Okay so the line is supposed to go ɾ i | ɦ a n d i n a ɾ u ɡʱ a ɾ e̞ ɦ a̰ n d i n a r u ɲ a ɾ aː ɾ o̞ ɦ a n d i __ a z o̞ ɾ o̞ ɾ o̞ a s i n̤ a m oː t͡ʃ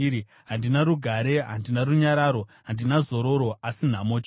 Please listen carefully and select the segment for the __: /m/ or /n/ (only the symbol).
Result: n